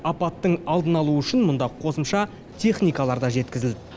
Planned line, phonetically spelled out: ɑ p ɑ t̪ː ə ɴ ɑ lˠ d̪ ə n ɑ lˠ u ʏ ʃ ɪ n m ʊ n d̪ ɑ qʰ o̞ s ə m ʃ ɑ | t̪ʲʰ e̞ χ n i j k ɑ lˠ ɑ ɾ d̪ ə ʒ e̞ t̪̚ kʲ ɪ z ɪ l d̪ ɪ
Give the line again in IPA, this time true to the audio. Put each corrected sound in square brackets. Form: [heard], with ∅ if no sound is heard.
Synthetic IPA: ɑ p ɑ t̪ː ə ɴ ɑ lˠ d̪ ə n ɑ lˠ u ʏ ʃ ɪ n m ʊ n d̪ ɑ qʰ o̞ s ə m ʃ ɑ | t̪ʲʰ e̞ χ n i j k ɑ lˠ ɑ ɾ d̪ [ɑ] ʒ e̞ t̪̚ kʲ ɪ z ɪ l d̪ ɪ

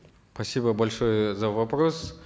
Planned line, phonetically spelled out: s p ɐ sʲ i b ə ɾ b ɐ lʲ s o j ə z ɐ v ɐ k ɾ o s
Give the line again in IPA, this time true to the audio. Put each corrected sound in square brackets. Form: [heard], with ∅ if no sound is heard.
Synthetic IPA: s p ɐ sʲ i b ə [∅] b ɐ lʲ [ʂ] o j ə z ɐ v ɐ [p] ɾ o s

